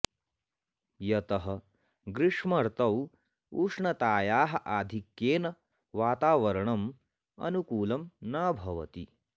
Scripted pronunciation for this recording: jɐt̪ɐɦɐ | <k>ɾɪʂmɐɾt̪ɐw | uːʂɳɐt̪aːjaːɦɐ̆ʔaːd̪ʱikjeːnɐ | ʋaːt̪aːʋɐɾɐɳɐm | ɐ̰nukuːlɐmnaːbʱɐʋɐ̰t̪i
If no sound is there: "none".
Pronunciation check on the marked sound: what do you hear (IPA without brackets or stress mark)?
ɡ